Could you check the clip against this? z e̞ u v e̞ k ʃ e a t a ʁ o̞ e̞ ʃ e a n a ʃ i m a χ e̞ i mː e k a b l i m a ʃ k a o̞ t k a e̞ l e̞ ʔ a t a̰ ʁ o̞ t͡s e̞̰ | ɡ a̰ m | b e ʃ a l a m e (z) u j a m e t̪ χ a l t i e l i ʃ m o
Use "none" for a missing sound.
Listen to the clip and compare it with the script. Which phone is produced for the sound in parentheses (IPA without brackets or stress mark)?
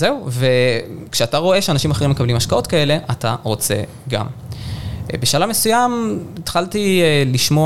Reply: s